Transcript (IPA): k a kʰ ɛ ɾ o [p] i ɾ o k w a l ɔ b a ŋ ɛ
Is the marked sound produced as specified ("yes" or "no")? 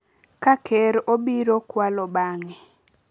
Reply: no